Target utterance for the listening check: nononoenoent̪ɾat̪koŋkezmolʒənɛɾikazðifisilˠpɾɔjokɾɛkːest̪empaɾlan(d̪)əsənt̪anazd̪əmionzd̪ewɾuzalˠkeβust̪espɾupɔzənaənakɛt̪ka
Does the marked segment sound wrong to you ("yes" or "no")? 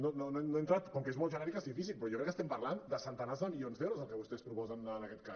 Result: no